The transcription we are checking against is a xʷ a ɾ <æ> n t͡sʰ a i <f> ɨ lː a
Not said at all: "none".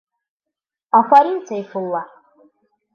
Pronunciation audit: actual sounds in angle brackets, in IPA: i, f

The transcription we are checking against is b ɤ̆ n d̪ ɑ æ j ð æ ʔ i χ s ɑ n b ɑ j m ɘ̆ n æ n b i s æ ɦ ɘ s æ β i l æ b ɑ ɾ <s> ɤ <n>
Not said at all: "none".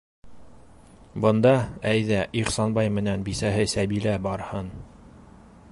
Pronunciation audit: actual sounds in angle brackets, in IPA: h, n

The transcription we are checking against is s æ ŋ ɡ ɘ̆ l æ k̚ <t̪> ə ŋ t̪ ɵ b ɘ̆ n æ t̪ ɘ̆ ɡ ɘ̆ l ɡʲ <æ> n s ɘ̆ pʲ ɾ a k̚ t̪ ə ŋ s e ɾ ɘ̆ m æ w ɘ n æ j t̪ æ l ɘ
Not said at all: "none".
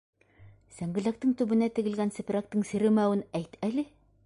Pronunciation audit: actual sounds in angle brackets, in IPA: t̪, æ

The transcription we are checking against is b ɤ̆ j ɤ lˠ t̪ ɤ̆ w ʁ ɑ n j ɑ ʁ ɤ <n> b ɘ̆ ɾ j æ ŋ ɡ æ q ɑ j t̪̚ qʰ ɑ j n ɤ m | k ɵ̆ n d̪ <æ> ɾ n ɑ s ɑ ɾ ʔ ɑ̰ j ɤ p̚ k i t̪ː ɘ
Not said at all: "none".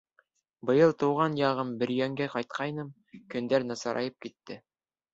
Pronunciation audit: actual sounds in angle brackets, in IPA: m, æ

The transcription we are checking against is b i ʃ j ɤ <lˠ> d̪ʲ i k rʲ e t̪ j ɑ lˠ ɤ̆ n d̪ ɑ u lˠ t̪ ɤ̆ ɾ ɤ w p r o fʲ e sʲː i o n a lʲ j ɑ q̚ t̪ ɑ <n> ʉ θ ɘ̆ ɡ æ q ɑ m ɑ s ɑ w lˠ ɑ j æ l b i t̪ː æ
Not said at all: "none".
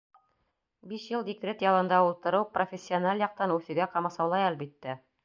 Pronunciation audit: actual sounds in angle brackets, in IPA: lˠ, n

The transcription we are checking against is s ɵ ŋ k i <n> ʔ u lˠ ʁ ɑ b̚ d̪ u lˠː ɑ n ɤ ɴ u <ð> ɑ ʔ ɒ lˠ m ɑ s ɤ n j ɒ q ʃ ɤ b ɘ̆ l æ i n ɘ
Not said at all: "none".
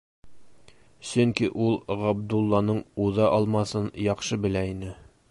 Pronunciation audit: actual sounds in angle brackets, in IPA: none, ð

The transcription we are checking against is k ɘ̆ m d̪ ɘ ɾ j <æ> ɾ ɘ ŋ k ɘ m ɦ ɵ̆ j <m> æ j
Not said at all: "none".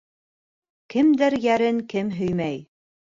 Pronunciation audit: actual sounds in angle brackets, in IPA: æ, m

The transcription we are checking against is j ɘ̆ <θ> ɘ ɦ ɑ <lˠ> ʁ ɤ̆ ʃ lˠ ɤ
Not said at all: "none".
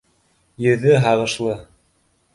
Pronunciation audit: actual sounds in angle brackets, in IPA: ð, none

